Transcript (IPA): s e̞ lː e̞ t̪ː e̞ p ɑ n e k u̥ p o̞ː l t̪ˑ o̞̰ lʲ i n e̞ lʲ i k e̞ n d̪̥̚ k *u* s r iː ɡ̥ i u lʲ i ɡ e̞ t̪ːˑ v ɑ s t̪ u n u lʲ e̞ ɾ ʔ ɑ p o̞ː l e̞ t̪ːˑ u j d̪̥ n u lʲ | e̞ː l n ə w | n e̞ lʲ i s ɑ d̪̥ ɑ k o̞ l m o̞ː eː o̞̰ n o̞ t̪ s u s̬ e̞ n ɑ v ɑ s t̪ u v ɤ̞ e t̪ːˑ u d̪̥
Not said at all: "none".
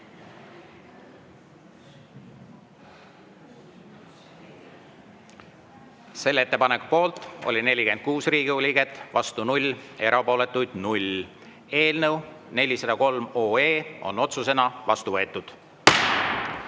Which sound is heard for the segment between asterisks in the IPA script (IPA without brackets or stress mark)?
uː